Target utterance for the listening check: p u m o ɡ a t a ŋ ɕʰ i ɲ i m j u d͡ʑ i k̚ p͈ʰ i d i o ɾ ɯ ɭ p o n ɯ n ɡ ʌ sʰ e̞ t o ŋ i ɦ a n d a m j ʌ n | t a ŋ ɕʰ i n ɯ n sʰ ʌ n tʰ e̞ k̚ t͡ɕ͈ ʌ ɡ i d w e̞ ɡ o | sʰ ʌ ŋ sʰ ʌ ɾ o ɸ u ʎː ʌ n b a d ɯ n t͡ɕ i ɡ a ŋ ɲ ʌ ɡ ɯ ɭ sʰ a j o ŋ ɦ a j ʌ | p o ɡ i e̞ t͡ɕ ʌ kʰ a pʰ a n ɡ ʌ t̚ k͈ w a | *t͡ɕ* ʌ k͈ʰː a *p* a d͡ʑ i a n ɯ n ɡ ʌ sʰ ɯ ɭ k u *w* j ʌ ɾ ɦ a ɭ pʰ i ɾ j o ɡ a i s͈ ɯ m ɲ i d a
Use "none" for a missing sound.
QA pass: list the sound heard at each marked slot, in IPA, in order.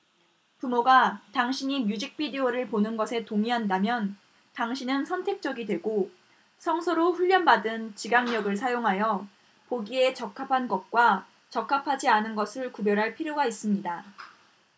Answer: t͡ɕ, pʰ, b

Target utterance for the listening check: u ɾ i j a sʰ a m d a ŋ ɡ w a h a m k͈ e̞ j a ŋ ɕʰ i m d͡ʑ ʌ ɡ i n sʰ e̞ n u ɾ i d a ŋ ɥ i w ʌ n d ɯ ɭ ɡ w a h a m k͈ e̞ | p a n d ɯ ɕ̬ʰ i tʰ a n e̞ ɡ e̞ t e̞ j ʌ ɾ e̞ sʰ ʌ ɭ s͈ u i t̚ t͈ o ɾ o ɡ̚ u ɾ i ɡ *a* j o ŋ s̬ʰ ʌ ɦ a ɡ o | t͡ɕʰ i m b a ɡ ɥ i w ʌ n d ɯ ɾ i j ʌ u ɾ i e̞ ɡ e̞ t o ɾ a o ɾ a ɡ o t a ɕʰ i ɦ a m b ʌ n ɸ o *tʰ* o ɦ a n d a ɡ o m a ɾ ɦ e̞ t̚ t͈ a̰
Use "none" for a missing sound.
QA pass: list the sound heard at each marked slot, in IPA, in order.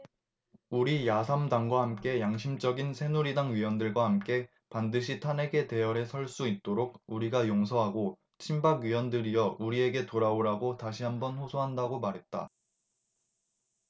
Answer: a, sʰ

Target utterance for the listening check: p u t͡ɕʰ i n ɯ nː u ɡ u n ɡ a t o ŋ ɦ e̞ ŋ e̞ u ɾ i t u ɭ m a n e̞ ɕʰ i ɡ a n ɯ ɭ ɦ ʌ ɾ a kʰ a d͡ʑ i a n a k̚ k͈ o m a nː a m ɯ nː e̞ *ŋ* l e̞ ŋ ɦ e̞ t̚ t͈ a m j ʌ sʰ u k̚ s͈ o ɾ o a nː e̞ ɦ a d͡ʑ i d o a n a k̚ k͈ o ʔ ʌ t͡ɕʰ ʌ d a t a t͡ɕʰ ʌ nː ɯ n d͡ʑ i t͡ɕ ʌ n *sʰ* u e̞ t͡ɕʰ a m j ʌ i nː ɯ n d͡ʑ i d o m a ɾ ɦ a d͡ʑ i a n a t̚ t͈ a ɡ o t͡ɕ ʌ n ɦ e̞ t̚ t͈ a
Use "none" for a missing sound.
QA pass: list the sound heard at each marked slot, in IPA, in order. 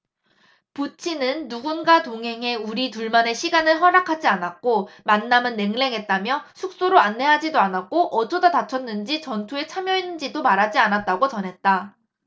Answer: ŋ, tʰ

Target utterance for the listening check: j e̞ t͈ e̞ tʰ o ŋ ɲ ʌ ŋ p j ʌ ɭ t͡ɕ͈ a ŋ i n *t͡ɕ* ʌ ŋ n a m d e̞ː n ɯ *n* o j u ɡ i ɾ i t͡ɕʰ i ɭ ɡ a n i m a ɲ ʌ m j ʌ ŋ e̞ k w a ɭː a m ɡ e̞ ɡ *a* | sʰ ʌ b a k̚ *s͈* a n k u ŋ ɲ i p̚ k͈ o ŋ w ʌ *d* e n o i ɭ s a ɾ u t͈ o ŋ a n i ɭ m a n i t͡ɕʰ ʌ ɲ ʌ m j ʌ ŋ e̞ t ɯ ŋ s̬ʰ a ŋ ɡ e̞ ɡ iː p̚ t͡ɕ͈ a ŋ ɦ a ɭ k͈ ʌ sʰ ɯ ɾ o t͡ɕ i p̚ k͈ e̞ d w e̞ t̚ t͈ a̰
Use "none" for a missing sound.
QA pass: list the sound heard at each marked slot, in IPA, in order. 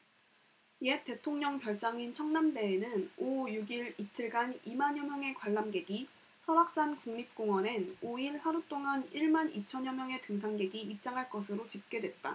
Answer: t͡ɕʰ, n, i, s͈, n

